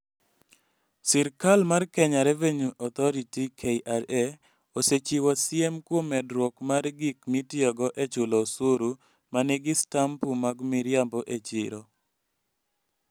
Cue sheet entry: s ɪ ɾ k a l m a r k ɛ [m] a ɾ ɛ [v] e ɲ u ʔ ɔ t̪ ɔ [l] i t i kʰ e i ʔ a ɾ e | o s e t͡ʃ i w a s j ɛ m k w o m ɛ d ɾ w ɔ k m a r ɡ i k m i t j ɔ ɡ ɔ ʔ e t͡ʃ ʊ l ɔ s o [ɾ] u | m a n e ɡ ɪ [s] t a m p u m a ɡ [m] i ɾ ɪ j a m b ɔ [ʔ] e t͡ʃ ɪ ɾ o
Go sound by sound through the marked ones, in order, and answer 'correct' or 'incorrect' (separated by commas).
incorrect, correct, incorrect, correct, correct, correct, correct